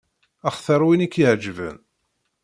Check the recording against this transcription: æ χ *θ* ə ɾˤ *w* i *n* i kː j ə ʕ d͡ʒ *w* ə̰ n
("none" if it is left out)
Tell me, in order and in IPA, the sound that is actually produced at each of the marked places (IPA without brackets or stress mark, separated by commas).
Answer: θ, w, n, v